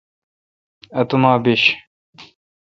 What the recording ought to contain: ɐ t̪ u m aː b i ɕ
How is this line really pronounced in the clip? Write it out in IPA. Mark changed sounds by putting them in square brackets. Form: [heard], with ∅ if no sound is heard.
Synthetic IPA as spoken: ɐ t̪ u m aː b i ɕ